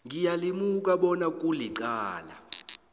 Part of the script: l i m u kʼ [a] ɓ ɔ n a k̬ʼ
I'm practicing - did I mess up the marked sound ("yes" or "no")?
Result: no